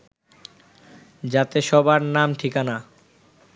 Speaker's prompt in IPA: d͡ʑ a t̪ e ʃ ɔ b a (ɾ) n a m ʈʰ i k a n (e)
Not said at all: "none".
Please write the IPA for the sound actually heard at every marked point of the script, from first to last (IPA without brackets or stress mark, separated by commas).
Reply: ɾ, a